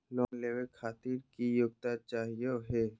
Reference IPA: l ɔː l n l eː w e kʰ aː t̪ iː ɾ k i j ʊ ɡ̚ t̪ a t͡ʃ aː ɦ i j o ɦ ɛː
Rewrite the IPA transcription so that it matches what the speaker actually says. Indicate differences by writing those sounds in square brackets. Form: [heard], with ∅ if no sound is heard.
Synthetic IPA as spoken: l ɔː [∅] n l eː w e kʰ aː t̪ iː ɾ k i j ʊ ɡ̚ t̪ a t͡ʃ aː ɦ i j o ɦ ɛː